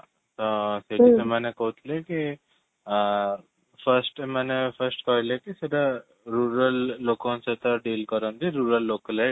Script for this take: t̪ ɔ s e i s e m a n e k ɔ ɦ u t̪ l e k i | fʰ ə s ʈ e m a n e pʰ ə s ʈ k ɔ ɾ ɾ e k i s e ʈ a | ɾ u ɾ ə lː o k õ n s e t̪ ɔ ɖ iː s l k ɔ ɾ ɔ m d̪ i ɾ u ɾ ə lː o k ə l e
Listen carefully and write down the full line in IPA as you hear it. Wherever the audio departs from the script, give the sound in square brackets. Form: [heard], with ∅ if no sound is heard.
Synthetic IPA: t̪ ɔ s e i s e m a n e k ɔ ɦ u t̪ l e k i | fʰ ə s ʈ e m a n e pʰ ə s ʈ k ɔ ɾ [l] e k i s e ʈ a | ɾ u ɾ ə lː o k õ n s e t̪ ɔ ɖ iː [∅] l k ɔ ɾ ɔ [n] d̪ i ɾ u ɾ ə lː o k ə l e